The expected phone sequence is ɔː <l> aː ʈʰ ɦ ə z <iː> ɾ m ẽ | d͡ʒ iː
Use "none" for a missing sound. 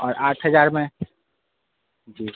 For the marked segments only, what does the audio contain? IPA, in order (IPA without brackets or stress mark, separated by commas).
ɾ, aː